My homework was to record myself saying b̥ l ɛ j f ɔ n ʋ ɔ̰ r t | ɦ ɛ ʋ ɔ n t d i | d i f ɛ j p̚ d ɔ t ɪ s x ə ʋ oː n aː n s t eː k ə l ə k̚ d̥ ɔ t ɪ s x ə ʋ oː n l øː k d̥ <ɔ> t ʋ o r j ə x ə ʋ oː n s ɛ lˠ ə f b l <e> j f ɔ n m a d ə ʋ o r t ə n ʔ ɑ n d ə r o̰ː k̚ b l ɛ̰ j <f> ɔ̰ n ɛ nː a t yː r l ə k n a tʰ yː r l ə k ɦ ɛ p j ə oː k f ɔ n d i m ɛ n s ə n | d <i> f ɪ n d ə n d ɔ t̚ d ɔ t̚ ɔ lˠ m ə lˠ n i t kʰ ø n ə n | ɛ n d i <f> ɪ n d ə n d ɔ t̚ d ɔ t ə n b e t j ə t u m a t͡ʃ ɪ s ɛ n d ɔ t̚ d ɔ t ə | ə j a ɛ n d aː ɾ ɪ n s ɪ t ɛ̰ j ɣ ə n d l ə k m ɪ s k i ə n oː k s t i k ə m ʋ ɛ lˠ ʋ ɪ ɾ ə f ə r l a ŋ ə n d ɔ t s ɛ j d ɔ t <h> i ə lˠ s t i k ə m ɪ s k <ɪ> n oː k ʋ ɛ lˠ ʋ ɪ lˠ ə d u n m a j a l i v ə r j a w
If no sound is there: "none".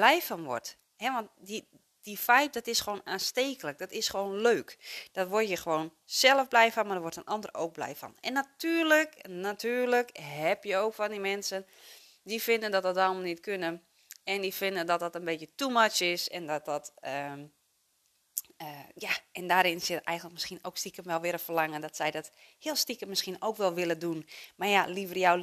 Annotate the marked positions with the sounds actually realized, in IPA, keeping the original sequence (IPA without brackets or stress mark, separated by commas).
ɔ, ɛ, f, i, f, h, i